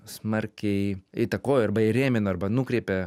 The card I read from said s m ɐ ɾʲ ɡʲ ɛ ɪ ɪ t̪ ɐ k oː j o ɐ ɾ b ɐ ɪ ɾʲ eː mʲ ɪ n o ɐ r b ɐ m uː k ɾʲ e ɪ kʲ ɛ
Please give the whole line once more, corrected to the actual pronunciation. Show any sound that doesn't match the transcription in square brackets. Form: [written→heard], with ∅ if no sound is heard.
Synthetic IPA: s m ɐ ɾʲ [ɡʲ→kʲ] ɛ ɪ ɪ t̪ ɐ k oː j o ɐ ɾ b ɐ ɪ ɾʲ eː mʲ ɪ n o ɐ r b ɐ [m→n] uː k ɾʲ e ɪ [kʲ→pʲ] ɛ